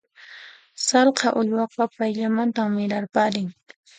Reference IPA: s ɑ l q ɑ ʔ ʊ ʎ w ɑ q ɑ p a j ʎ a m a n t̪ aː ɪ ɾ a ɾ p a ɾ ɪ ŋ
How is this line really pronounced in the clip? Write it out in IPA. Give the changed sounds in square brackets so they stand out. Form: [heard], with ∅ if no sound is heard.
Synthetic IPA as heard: s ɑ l q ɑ ʔ ʊ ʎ w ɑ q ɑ p a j ʎ a m a n t̪ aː ɪ ɾ a ɾ p a ɾ ɪ ŋ